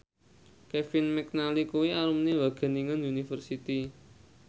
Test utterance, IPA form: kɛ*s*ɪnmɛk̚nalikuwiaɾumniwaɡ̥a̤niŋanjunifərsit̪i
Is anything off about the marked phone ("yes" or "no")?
yes